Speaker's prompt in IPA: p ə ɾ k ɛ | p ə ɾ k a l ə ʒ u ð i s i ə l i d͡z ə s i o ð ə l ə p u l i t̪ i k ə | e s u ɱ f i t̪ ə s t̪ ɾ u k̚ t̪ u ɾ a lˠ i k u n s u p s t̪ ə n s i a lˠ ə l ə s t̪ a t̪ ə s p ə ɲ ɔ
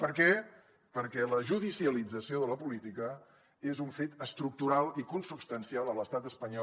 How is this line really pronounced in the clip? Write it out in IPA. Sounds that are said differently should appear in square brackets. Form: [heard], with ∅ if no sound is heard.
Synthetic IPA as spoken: p ə ɾ k ɛ | p ə ɾ k [ɛ] l ə ʒ u ð i s i ə l i d͡z ə s i o ð ə l ə p u l i t̪ i k ə | e [z] u ɱ f [e] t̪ ə s t̪ ɾ u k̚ t̪ u ɾ a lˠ i k u n s u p s t̪ ə n s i a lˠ ə l ə s t̪ a t̪ ə s p ə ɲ ɔ

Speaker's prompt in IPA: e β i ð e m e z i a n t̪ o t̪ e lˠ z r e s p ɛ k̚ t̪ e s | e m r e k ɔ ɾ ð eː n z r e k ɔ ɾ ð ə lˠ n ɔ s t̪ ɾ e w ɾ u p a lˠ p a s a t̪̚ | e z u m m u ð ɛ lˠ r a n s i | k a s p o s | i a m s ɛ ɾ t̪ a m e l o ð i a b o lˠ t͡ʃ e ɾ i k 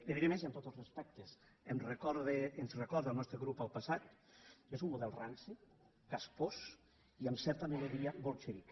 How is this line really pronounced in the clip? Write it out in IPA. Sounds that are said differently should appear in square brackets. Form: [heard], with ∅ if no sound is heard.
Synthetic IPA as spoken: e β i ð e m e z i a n t̪ o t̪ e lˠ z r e s p ɛ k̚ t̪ e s | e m r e k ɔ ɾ ð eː n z r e k ɔ ɾ ð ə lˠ n ɔ s t̪ ɾ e [ɣ] ɾ u p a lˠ p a s a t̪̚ | e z u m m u ð ɛ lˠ r a n s i | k a s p o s | i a m s ɛ ɾ t̪ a m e l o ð i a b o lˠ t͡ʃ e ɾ i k

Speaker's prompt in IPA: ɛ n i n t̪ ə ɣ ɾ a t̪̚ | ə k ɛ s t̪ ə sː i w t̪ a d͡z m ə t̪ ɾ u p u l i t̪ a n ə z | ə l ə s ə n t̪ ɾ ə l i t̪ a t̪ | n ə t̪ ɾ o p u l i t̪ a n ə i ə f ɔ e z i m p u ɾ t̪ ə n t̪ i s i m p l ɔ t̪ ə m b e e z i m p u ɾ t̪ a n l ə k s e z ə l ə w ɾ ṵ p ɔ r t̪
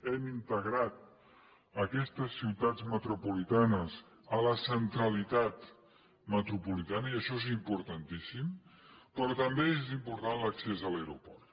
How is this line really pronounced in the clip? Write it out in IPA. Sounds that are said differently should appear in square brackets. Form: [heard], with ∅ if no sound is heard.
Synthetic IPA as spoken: ɛ [m] i n t̪ ə ɣ ɾ a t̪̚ | ə k ɛ s t̪ ə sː i w t̪ a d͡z m ə t̪ ɾ u p u l i t̪ a n ə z | ə l ə s ə n t̪ ɾ ə l i t̪ a t̪ | [m] ə t̪ ɾ [u] p u l i t̪ a n ə i ə [ʃ] ɔ e z i m p u ɾ t̪ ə n t̪ i s i m p [ɾ] ɔ t̪ ə m b e e z i m p u ɾ t̪ a n l ə k s e z ə l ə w ɾ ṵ p ɔ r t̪

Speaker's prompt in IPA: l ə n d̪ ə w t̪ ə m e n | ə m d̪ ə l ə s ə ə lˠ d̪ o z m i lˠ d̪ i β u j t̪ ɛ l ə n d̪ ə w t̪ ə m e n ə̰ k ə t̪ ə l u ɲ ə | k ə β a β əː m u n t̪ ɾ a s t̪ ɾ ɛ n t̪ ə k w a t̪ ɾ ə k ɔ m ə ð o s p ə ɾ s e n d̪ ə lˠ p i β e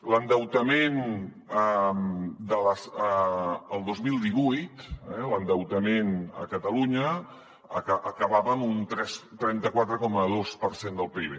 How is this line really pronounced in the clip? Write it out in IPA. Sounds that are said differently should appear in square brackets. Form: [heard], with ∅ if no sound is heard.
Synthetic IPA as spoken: l ə n d̪ ə w t̪ ə m e n | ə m d̪ ə l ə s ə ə lˠ d̪ o z m i lˠ d̪ i β u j t̪ ɛ l ə n d̪ ə w t̪ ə m e n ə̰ k ə t̪ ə l u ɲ ə | k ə β a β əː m u n t̪ ɾ [ɛ] s t̪ ɾ ɛ n t̪ ə k w a t̪ ɾ ə k ɔ m ə ð o s p ə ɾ s e n d̪ ə lˠ p i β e

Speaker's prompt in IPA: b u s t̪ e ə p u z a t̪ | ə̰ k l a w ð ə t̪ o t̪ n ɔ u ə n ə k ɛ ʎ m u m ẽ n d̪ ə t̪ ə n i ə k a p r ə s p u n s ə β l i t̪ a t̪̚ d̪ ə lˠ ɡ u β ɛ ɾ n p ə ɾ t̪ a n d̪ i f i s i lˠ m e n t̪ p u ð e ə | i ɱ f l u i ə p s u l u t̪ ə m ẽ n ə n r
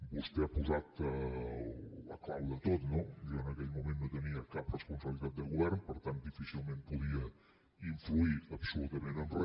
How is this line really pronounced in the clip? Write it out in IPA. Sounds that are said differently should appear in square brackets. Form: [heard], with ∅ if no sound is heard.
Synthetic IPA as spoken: b u s t̪ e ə p u z a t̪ | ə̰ k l a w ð ə t̪ o t̪ n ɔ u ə n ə k ɛ ʎ m u m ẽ n d̪ ə t̪ ə n i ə k a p r ə s p u n s ə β l i t̪ a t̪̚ d̪ ə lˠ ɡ u β ɛ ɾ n p ə ɾ t̪ a n d̪ i f i s i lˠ m e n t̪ p u ð [i] ə | i ɱ f l u i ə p s u l u t̪ ə m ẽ n ə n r

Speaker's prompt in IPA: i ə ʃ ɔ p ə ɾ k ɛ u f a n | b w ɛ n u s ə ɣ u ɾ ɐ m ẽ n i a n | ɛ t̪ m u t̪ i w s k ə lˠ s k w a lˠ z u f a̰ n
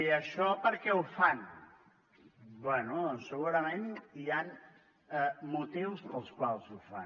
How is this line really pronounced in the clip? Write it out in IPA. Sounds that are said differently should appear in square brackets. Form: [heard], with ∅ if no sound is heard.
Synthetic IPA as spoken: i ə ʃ ɔ p ə ɾ k ɛ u f a n | b w ɛ n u s ə ɣ u ɾ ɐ m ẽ n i a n | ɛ [∅] m u t̪ i w s [p] ə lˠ s k w a lˠ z u f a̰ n

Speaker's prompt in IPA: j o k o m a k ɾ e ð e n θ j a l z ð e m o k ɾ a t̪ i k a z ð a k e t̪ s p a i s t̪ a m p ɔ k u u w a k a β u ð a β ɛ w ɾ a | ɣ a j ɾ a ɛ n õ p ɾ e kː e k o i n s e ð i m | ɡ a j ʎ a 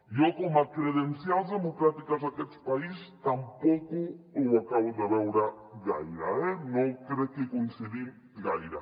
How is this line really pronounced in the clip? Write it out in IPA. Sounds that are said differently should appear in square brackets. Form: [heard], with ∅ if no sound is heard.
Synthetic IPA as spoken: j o k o m a k ɾ e ð e n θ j a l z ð e m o k ɾ a t̪ i k a z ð a k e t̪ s p a i s t̪ a m p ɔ k u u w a k a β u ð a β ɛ w ɾ a | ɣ a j ɾ a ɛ n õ [k] ɾ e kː e k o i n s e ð i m | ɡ a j [ɾ] a

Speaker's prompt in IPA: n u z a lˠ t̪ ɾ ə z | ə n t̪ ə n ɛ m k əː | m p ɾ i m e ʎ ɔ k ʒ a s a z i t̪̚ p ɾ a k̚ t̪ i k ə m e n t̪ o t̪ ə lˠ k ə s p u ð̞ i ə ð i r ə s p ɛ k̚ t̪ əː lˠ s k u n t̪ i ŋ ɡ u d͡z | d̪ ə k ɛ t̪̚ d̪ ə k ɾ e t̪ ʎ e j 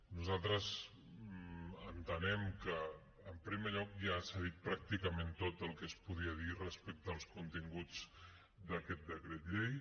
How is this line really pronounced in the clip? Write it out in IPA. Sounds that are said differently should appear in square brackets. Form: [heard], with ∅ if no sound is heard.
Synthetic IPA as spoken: n u z a lˠ t̪ ɾ ə z | ə n t̪ ə n ɛ m k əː | m p ɾ i m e ʎ ɔ k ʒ a s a [ð] i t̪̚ p ɾ a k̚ t̪ i k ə m e n t̪ o t̪ ə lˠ k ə s p u ð̞ i ə ð i r ə s p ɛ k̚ t̪ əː lˠ s k u n t̪ i ŋ ɡ u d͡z | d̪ ə k ɛ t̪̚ d̪ ə k ɾ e t̪ ʎ e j

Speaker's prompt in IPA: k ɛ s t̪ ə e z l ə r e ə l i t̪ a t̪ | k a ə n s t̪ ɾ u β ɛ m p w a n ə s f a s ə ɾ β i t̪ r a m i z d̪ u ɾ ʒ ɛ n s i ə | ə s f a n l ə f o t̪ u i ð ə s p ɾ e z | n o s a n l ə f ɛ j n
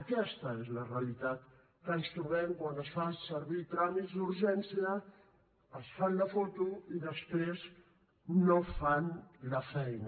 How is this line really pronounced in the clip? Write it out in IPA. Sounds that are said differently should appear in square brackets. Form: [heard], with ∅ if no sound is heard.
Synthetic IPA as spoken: k ɛ s t̪ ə e z l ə r e ə l i t̪ a t̪ | k [ə] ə n s t̪ ɾ u β ɛ m [k] w a n ə s f a s ə ɾ β i t̪ [ɾ] a m i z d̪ u ɾ ʒ ɛ n s i ə | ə s f a n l ə f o t̪ u i ð ə s p ɾ e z | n o [f] a n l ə f ɛ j n

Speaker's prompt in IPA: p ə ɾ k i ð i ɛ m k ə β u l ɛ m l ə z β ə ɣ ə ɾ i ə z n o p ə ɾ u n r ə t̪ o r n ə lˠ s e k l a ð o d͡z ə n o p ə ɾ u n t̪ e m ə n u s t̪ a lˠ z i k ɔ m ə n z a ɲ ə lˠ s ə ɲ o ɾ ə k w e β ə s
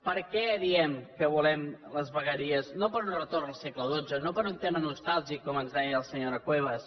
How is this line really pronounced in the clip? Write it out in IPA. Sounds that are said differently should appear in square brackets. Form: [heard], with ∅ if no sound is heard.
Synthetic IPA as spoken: p ə ɾ k [ɛ] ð i ɛ m k ə β u l ɛ m l ə z β ə ɣ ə ɾ i ə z n o p ə ɾ u n r ə t̪ o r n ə lˠ s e k l [ə] ð o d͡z ə n o p ə ɾ u n t̪ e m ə n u s t̪ a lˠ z i k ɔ m ə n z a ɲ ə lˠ s ə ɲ o ɾ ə k w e β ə s

